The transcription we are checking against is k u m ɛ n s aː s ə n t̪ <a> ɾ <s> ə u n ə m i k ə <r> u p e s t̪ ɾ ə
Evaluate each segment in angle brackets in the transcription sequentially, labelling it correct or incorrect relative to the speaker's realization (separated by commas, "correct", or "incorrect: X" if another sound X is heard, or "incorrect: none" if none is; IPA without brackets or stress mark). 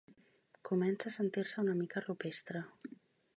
incorrect: i, correct, correct